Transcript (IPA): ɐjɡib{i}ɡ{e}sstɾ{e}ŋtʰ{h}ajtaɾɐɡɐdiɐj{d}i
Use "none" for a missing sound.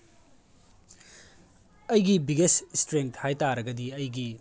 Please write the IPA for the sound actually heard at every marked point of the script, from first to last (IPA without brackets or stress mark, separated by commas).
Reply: i, e, e, h, ɡ